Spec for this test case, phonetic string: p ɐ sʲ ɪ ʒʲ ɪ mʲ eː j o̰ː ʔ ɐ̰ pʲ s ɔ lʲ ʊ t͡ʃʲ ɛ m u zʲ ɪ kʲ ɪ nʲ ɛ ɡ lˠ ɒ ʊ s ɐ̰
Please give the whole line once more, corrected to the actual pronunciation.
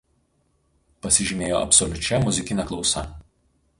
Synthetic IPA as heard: p ɐ sʲ ɪ ʒʲ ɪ mʲ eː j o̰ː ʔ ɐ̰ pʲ s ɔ lʲ ʊ t͡ʃʲ ɛ m ʊ zʲ ɪ kʲ ɪ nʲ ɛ k lˠ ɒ ʊ s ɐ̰